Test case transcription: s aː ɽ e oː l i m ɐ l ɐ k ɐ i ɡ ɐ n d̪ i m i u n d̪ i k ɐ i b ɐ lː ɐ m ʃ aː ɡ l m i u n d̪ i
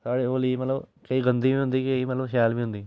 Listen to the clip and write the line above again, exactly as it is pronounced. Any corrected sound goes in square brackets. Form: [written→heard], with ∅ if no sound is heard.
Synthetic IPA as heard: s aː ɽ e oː l i m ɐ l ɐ k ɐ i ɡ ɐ n d̪ i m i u n d̪ i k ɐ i [b→m] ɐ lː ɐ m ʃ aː [ɡ→∅] l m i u n d̪ i